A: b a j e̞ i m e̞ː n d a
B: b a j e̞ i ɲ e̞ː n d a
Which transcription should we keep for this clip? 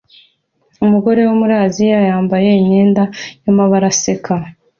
B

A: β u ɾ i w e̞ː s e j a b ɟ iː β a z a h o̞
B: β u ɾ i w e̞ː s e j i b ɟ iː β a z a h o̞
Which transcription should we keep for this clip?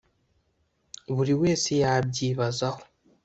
A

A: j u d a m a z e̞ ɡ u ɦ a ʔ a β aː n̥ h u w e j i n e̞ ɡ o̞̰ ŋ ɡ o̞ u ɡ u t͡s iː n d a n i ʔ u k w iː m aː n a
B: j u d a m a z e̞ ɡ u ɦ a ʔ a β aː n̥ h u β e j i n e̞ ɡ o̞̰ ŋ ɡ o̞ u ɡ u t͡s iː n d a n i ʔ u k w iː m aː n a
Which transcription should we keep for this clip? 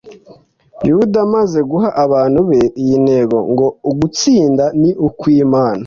B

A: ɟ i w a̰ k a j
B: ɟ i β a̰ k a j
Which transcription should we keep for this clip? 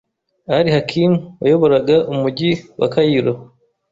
A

